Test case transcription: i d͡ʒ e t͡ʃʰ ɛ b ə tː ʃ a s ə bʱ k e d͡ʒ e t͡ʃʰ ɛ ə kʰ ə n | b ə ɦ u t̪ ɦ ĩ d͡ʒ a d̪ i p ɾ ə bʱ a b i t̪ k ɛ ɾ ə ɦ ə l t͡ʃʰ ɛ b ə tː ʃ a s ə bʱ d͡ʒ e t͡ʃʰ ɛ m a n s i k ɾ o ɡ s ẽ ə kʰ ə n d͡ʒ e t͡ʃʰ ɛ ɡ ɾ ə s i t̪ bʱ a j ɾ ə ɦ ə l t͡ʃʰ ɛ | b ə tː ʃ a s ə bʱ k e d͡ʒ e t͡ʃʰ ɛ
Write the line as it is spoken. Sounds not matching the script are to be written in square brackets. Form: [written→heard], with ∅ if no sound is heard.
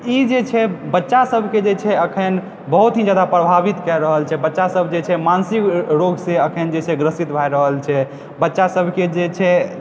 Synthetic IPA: i d͡ʒ e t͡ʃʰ ɛ b ə tː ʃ a s ə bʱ k e d͡ʒ e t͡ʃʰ ɛ ə kʰ ə n | b ə ɦ u t̪ ɦ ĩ d͡ʒ a d̪ [i→a] p ɾ ə bʱ a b i t̪ k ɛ ɾ ə ɦ ə l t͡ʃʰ ɛ b ə tː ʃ a s ə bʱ d͡ʒ e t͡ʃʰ ɛ m a n s i k ɾ o ɡ s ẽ ə kʰ ə n d͡ʒ e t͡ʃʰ ɛ ɡ ɾ ə s i t̪ bʱ a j ɾ ə ɦ ə l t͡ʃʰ ɛ | b ə tː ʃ a s ə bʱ k e d͡ʒ e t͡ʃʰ ɛ